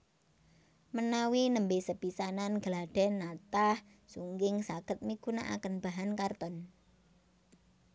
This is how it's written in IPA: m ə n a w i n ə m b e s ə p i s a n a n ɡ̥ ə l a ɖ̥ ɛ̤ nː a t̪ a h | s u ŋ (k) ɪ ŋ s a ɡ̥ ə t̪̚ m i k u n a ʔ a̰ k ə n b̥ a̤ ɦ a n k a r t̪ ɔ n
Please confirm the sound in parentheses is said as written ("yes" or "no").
no